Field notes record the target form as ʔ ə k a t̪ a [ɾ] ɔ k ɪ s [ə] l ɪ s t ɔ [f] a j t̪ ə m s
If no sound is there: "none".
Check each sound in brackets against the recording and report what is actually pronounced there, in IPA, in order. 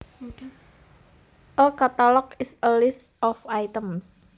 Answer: l, ə, f

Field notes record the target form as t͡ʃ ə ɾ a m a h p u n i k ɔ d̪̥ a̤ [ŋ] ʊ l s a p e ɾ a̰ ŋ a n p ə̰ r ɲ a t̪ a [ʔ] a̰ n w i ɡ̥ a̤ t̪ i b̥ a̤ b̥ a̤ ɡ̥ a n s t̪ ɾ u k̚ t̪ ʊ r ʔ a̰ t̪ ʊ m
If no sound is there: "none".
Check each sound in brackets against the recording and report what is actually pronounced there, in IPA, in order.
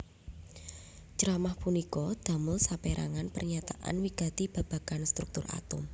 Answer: m, ʔ

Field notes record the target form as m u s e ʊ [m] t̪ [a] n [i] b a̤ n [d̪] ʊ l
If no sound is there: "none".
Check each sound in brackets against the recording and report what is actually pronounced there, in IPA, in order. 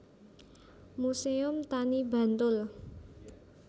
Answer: m, a, i, t̪

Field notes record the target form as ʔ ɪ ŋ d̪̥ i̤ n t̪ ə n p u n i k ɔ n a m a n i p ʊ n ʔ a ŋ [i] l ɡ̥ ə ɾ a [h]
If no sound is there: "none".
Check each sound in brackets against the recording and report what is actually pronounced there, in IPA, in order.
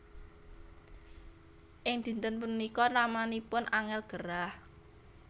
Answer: ɛ, h

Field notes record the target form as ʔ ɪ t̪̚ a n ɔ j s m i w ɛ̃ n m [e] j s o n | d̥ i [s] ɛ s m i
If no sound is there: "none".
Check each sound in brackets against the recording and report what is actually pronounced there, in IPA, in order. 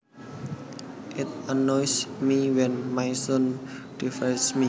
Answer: a, f

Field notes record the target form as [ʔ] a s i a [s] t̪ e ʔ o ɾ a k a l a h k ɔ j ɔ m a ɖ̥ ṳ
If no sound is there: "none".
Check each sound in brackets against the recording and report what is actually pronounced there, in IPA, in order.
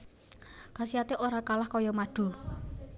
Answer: k, none

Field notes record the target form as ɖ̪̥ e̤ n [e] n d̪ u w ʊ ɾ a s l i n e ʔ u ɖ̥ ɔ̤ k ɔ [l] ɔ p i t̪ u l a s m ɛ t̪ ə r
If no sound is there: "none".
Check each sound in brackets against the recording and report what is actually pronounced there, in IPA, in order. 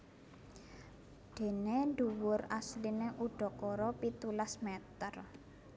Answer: e, ɾ

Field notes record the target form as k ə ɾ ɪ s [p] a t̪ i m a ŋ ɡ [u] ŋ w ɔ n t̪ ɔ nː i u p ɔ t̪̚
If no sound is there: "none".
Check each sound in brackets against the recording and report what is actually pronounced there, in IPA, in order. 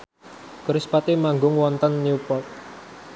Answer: p, ʊ

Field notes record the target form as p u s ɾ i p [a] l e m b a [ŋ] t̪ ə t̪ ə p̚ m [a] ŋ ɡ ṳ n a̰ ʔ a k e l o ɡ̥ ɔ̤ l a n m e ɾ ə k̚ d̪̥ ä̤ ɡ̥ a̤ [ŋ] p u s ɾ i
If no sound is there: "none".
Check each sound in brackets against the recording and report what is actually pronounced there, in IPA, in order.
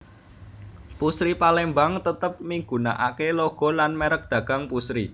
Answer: a, ŋ, i, ŋ

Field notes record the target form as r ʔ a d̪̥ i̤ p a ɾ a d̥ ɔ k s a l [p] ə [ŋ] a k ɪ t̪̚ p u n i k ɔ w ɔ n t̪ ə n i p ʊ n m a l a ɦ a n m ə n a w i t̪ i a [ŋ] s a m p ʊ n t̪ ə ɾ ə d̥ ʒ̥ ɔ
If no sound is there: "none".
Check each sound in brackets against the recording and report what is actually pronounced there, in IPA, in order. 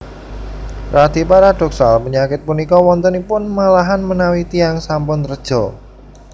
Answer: p, ɲ, ŋ

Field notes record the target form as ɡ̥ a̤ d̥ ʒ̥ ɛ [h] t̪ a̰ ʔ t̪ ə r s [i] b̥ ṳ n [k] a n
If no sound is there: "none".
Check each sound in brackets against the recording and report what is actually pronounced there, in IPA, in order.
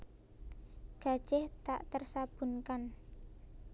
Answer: h, a, k

